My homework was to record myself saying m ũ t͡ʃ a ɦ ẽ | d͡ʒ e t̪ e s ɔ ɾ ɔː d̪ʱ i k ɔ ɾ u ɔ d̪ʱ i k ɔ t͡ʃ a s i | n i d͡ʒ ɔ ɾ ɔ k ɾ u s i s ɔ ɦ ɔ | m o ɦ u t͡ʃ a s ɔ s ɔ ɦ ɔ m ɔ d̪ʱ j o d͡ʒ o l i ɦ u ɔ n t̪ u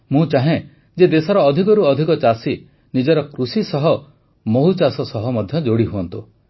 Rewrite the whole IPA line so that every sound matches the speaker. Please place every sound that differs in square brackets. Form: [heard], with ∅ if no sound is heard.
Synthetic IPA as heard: m ũ t͡ʃ a ɦ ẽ | d͡ʒ e [d̪] e s ɔ ɾ ɔː d̪ʱ i k ɔ ɾ u ɔ d̪ʱ i k ɔ t͡ʃ a s i | n i d͡ʒ ɔ ɾ ɔ k ɾ u s i s ɔ ɦ ɔ | m o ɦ u t͡ʃ a s ɔ s ɔ ɦ ɔ m ɔ d̪ʱ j [ɔ] d͡ʒ o [ɽ] i ɦ u ɔ n t̪ u